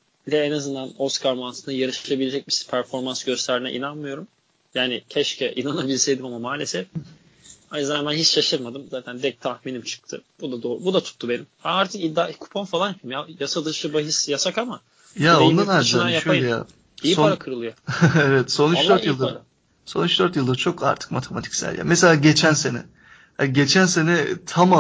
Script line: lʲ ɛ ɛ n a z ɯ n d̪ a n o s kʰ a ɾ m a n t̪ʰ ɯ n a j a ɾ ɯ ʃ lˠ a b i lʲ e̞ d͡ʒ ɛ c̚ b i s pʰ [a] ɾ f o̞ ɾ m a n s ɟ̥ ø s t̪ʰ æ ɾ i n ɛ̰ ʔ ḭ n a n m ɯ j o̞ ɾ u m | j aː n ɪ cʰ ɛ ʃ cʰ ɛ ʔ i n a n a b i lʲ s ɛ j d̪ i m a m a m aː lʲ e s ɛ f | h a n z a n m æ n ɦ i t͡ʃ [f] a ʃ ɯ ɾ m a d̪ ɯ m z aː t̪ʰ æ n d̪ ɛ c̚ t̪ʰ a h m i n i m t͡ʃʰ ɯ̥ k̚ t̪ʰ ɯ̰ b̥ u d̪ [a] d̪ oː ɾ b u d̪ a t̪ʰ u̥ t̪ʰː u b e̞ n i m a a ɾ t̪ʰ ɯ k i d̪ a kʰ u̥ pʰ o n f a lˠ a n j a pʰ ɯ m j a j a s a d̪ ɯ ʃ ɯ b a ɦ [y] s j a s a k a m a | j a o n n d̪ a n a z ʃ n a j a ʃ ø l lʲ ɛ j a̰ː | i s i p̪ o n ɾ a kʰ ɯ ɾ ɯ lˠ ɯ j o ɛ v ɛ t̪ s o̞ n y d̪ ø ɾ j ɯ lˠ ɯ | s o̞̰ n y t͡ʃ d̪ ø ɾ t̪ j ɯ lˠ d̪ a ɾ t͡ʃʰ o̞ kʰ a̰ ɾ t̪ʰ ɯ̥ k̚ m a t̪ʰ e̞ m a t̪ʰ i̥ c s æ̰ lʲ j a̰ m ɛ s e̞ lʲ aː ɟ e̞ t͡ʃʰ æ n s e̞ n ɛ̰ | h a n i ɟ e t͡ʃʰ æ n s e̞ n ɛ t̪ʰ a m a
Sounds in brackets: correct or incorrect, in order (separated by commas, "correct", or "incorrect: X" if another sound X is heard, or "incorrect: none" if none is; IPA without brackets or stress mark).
incorrect: æ, incorrect: ʃ, correct, incorrect: i